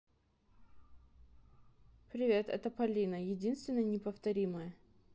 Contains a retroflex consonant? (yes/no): no